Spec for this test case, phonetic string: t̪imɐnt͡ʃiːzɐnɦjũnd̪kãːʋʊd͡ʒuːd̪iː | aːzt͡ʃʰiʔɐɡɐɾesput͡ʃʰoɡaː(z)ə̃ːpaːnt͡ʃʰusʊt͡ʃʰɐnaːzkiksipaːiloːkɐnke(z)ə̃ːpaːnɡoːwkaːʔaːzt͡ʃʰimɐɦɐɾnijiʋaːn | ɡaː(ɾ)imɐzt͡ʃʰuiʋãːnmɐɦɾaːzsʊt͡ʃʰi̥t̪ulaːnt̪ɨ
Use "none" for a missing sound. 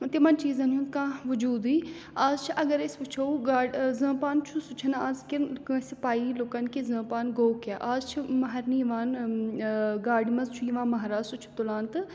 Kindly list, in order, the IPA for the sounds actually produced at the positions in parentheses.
z, z, ɽ

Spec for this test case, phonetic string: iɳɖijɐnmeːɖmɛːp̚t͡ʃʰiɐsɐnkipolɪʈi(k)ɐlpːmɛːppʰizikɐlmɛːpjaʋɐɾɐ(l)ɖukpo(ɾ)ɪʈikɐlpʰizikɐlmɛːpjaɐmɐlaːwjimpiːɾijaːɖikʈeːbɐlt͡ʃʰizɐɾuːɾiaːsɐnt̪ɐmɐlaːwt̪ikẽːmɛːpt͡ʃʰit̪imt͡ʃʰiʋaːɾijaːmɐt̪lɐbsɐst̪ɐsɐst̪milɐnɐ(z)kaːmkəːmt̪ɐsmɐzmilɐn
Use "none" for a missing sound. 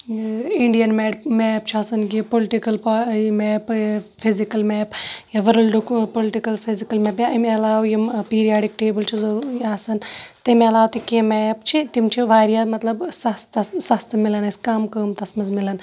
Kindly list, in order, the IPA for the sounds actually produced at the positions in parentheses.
k, l, l, s

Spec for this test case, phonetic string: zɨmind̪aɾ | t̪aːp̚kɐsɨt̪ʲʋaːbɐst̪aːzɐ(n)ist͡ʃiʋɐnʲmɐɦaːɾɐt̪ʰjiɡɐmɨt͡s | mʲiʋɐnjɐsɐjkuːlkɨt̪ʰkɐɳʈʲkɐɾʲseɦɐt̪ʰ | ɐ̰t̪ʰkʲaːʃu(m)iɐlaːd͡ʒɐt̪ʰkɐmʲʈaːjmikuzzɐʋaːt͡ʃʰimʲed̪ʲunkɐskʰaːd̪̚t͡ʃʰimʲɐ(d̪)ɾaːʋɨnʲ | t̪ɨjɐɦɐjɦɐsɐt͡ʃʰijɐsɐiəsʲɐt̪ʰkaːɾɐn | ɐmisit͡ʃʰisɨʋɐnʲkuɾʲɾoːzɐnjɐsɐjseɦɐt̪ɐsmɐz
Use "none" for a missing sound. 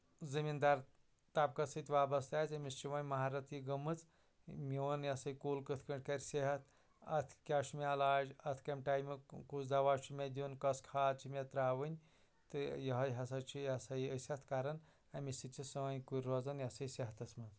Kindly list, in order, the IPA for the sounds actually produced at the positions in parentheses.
m, m, t̪

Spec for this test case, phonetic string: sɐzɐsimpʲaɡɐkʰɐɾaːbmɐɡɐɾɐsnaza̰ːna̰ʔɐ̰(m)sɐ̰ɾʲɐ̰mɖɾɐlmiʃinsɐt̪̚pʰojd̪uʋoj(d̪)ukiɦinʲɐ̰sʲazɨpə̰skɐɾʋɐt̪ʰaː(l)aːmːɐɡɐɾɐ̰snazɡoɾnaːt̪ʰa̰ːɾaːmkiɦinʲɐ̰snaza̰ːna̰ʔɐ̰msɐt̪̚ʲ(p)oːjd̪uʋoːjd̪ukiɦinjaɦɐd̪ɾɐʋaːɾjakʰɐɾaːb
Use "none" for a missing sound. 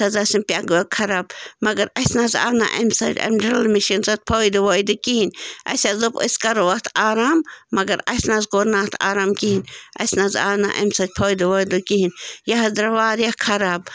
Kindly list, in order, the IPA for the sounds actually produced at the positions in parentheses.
m, d̪, ɾ, pʰ

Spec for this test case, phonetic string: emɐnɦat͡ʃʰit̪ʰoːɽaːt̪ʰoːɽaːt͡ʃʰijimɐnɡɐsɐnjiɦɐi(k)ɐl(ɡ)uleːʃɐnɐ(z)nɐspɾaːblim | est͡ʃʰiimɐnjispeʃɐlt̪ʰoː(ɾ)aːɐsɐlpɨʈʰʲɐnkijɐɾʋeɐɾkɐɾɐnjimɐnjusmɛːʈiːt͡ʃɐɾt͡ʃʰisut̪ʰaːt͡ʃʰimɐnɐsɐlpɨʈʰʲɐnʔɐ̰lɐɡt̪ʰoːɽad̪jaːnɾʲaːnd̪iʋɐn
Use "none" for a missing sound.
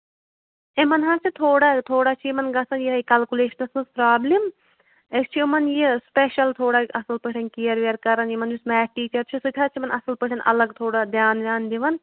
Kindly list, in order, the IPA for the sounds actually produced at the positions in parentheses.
k, k, s, ɽ

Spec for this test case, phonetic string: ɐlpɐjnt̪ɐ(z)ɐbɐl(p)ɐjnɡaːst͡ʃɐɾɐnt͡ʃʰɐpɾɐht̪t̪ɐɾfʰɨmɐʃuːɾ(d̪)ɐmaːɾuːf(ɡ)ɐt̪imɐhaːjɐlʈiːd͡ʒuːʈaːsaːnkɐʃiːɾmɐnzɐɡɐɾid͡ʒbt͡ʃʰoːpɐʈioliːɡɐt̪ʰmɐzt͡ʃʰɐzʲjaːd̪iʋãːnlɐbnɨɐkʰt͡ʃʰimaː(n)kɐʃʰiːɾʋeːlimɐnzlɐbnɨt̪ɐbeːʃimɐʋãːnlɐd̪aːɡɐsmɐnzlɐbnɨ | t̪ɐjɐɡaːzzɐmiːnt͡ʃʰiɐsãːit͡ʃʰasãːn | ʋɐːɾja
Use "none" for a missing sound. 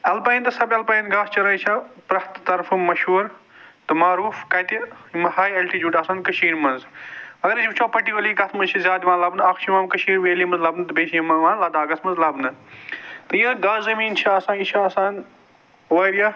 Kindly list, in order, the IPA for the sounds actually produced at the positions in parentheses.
s, p, t̪, k, m

